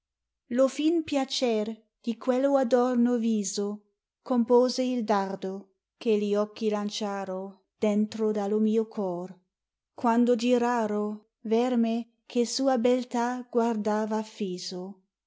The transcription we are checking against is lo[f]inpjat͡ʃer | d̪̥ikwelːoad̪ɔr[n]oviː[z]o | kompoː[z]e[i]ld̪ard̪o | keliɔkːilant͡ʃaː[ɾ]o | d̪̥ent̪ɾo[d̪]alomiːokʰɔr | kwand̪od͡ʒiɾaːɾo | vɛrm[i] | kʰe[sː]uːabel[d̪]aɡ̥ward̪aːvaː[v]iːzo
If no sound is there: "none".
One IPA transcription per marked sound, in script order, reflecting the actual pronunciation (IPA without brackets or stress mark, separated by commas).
f, n, z, z, i, ɾ, d̪, e, s, t̪, f